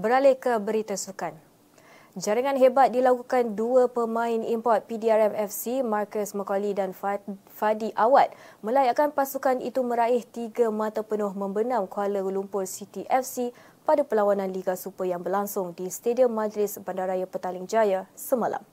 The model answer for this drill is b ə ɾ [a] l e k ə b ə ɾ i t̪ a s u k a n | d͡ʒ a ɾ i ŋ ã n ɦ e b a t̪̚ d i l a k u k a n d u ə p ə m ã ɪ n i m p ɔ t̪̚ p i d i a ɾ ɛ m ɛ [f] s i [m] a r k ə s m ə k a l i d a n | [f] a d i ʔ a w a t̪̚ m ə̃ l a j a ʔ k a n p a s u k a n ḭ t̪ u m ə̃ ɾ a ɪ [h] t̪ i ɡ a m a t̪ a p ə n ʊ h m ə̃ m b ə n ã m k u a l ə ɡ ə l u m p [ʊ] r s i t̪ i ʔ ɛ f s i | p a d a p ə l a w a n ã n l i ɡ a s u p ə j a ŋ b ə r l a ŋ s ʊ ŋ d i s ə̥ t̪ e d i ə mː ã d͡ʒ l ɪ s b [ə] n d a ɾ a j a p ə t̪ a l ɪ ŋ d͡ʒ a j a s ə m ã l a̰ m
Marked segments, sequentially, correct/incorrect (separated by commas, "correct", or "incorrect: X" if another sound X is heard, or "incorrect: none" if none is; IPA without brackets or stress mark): correct, correct, correct, correct, correct, correct, incorrect: a